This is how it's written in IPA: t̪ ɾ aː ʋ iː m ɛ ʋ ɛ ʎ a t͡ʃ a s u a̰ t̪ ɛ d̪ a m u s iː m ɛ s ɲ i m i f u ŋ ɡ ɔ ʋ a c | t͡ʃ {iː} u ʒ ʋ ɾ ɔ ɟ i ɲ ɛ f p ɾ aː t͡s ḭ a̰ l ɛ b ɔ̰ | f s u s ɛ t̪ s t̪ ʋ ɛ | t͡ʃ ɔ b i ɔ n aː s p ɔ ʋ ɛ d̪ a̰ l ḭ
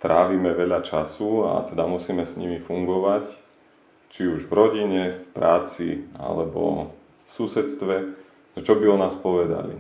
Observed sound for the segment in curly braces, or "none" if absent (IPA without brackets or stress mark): i